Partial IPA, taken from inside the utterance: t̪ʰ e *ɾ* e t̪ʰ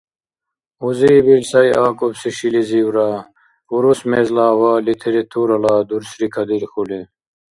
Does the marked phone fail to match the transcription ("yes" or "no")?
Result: no